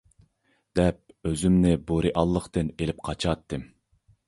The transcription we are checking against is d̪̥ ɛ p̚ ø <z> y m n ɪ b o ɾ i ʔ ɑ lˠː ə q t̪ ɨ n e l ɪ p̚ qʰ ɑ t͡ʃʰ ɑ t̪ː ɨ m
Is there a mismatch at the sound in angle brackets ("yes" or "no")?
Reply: no